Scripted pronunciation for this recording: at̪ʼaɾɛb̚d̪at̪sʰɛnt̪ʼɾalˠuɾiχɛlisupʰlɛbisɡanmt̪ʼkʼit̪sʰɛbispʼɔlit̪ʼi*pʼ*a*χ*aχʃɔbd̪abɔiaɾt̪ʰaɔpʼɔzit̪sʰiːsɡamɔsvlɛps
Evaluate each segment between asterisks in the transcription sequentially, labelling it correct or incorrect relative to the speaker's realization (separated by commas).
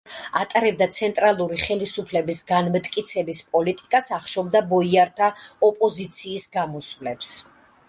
incorrect, incorrect